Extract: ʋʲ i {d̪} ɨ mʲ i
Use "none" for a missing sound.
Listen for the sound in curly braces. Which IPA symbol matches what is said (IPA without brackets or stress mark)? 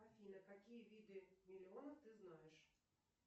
d̪